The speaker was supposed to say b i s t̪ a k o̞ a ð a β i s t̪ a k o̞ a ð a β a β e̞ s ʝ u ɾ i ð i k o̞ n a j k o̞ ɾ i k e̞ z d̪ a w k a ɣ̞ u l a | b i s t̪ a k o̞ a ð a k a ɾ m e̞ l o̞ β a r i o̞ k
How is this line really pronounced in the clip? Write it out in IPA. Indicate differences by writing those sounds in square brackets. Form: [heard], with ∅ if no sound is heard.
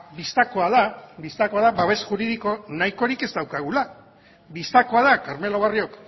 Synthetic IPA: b i s t̪ a k o̞ a ð a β i s t̪ a k o̞ a ð a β a β e̞ s ʝ u ɾ i ð i k o̞ n a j k o̞ ɾ i k e̞ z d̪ a w k a ɣ̞ u l a | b i s t̪ a k o̞ a ð a k a ɾ m e̞ l o̞ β a r i o̞ k